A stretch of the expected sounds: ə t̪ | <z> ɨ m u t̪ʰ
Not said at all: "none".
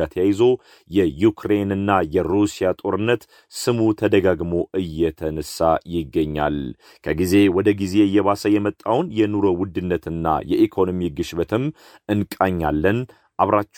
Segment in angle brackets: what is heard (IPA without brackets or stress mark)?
s